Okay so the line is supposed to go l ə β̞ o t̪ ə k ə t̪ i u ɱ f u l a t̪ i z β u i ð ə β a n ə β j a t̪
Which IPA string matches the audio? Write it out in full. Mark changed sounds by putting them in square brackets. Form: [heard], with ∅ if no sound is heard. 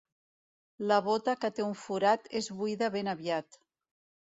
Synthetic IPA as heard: l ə β̞ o t̪ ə k ə t̪ [e] u ɱ f u [ɾ] a t̪ [e] z β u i ð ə β [e] n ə β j a t̪